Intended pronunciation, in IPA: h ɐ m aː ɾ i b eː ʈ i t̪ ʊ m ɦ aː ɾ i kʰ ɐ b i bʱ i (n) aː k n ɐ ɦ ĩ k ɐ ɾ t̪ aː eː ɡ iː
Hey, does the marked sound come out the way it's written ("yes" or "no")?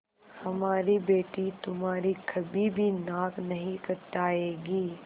yes